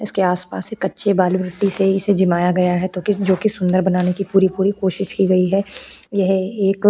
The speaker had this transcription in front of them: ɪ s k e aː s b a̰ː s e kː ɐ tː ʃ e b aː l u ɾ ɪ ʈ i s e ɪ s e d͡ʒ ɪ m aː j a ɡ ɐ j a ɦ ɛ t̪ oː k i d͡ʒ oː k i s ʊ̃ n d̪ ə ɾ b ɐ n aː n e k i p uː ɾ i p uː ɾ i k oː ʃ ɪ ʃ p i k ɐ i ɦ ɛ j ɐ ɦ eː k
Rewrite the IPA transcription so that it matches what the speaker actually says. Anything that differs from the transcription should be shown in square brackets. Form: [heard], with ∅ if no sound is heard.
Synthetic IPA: ɪ s k e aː s [p] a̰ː s e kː ɐ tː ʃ e b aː l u ɾ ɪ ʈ i s e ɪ s e d͡ʒ ɪ m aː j a ɡ ɐ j a ɦ ɛ t̪ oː k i d͡ʒ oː k i s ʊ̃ n d̪ ə ɾ b ɐ n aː n e k i p uː ɾ i p uː ɾ i k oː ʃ ɪ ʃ [k] i [ɡ] ɐ i ɦ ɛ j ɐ ɦ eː k